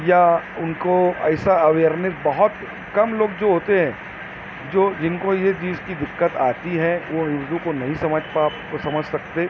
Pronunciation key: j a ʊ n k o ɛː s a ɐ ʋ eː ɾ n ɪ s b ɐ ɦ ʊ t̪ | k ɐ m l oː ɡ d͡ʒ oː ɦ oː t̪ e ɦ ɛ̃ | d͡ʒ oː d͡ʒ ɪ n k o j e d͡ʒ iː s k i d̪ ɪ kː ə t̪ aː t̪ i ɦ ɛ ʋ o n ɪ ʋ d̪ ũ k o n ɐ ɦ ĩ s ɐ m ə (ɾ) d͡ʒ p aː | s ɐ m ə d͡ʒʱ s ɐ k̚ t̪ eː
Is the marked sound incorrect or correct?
incorrect